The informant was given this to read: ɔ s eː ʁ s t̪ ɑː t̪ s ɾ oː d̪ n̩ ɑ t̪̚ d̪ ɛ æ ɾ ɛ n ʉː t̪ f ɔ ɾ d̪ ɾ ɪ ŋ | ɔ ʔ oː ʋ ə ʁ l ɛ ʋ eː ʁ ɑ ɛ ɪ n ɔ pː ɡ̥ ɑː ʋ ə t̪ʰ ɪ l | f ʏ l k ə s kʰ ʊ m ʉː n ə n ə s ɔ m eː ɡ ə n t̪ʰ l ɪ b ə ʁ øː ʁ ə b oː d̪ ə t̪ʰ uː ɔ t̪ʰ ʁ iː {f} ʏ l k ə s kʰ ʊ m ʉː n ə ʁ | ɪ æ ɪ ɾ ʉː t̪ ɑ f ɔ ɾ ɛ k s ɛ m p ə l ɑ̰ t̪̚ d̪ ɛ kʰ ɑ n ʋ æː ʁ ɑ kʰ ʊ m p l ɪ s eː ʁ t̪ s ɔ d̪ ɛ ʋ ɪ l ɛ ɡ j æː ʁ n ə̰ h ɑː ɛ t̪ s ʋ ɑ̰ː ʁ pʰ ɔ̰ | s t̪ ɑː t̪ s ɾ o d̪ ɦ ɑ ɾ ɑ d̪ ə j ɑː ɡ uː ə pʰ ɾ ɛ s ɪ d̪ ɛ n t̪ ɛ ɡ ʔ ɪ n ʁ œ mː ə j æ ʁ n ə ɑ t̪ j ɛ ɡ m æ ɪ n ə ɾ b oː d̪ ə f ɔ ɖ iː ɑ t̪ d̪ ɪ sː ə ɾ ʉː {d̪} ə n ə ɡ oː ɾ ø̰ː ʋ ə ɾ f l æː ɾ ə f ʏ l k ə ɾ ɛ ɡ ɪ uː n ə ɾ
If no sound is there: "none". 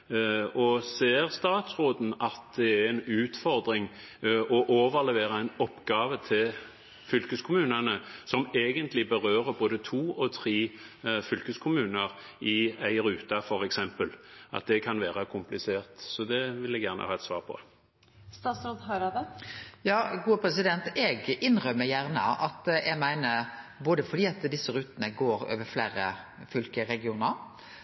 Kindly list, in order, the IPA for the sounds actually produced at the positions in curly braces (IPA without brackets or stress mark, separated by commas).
f, t̪